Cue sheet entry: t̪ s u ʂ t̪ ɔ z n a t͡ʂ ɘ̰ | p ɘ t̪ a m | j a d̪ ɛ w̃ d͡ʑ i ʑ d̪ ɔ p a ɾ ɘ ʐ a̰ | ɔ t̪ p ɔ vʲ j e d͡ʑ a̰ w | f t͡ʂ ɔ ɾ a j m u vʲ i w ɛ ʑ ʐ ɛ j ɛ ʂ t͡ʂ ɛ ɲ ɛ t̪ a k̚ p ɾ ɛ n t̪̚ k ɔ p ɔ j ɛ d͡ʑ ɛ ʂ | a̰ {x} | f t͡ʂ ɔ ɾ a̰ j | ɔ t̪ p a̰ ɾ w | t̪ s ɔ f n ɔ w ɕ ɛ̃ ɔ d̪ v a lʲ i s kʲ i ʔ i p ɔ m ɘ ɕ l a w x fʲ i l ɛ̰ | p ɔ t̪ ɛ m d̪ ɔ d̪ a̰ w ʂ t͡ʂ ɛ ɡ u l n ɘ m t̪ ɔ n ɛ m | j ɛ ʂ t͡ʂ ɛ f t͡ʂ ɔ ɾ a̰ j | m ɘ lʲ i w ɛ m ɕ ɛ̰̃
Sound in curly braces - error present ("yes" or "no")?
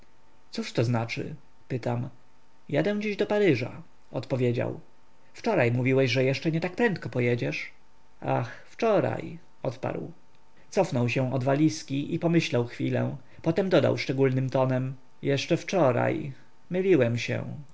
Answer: no